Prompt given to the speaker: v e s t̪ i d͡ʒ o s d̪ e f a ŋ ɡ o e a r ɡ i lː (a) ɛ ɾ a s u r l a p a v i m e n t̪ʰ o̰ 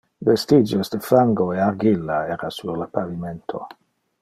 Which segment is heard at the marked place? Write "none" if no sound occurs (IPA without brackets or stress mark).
a